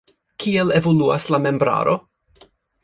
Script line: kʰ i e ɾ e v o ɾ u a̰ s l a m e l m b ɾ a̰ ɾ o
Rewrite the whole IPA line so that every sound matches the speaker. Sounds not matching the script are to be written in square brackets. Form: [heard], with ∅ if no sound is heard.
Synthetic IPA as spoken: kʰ i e [l] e v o [l] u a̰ s l a m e [∅] m b ɾ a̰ ɾ o